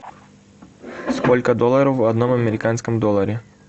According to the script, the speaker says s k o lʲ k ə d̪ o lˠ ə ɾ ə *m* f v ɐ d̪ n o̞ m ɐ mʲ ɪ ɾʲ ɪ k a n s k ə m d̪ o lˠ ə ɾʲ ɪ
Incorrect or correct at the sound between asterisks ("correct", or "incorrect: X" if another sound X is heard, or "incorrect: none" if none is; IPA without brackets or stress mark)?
incorrect: none